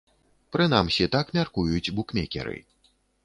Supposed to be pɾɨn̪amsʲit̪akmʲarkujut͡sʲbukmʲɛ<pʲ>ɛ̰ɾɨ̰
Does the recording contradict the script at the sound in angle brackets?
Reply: yes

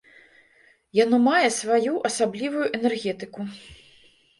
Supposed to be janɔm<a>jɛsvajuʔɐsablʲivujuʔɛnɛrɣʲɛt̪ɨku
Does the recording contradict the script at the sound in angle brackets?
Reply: no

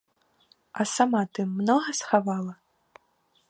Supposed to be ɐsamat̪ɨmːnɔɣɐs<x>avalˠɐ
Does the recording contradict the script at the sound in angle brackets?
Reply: no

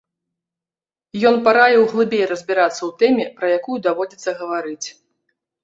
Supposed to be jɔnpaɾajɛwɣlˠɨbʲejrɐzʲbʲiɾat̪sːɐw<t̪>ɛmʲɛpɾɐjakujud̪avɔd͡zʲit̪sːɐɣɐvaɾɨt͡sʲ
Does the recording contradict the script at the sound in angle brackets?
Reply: no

